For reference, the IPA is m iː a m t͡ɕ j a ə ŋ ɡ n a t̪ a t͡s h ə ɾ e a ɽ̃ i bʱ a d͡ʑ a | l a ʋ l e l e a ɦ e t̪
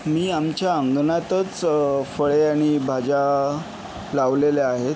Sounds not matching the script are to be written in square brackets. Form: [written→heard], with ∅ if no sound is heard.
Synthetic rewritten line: m iː a m t͡ɕ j a ə ŋ ɡ n a t̪ [a→ə] t͡s [h→f] ə [ɾ→ɭ] e a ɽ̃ i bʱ a d͡ʑ a | l a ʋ l e l e a ɦ e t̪